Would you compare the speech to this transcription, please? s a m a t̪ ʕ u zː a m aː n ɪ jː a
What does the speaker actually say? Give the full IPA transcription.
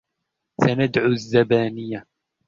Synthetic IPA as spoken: s a n a d̪ ʕ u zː a b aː n ɪ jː a